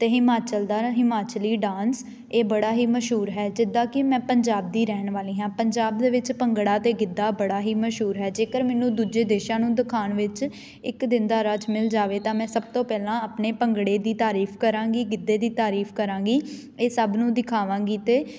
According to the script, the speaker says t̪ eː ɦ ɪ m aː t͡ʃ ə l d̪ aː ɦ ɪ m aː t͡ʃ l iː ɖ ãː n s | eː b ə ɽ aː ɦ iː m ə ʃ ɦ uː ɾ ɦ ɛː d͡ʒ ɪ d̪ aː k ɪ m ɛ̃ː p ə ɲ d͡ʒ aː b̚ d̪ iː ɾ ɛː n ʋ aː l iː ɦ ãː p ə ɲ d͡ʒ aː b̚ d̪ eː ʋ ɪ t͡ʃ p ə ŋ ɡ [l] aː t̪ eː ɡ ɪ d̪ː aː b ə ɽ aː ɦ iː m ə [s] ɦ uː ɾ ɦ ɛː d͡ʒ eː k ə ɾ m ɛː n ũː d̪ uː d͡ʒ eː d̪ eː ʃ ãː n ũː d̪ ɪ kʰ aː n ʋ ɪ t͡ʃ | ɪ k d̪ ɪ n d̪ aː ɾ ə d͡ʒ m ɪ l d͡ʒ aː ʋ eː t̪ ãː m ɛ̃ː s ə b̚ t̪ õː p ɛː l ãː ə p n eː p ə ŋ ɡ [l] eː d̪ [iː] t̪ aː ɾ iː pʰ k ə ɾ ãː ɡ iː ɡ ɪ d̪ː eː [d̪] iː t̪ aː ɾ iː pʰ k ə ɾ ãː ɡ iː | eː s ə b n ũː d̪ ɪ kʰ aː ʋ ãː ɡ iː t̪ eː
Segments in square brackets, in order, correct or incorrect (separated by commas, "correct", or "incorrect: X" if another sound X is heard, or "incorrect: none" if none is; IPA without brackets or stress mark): incorrect: ɽ, incorrect: ʃ, incorrect: ɽ, correct, correct